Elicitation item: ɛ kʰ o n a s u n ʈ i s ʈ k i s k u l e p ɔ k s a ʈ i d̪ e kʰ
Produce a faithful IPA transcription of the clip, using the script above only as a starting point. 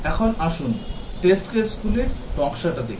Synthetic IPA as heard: ɛ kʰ o n a ʃ u n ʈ e s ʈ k e s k u l e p ɔ k ʃ a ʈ a d̪ e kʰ